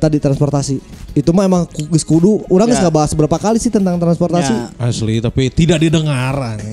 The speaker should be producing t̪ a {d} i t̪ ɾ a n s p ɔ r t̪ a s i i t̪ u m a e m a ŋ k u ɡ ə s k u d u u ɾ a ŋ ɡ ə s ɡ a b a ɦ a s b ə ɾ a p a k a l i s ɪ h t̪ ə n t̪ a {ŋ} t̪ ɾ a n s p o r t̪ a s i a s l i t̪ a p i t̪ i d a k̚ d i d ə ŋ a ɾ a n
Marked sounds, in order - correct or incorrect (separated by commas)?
correct, correct